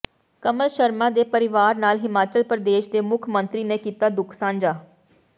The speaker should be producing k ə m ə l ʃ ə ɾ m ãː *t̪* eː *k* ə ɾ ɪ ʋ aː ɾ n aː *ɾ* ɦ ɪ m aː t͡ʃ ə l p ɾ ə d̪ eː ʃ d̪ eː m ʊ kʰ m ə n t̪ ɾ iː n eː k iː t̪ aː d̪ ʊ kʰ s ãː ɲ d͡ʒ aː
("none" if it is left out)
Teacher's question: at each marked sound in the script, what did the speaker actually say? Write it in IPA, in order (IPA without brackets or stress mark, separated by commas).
d̪, p, l